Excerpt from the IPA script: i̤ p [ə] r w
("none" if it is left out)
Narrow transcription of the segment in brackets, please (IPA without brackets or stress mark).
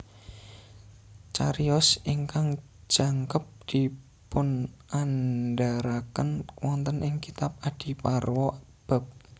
a